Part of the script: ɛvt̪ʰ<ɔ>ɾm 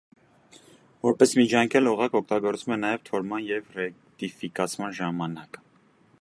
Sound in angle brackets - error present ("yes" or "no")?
no